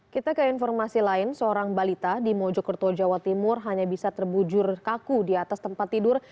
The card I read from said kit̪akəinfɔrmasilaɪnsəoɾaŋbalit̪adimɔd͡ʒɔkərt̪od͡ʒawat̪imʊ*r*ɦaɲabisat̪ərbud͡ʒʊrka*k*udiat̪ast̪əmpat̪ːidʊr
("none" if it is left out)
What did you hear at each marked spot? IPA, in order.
r, k

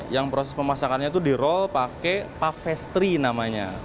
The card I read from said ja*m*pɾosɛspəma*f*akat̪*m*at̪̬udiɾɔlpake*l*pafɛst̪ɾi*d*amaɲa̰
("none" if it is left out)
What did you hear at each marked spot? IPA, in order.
ŋ, s, ɲ, none, n

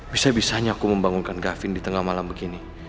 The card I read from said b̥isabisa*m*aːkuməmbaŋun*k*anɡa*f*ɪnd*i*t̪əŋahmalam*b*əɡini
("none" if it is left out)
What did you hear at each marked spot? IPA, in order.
ɲ, k, f, i, b

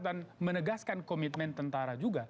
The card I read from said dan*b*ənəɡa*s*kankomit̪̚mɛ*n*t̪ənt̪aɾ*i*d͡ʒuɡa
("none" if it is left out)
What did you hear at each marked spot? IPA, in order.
m, s, n, a

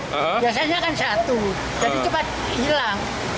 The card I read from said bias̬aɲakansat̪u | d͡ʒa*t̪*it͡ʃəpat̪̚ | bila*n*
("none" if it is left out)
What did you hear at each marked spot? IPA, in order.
none, ŋ

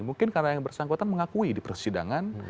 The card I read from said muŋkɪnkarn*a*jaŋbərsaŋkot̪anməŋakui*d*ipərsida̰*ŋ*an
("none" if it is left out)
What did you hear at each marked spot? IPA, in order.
a, d, ŋ

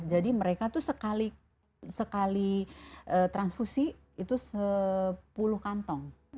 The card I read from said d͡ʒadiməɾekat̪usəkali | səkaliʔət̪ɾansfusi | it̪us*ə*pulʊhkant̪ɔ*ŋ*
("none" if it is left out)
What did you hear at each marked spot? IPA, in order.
ə, ŋ

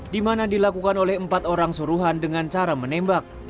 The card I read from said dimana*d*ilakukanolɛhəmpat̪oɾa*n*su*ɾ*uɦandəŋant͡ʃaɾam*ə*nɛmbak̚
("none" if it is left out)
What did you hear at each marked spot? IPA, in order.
d, ŋ, ɾ, ə

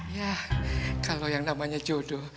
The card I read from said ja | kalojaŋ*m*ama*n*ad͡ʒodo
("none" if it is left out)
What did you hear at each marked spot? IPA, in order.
n, ɲ

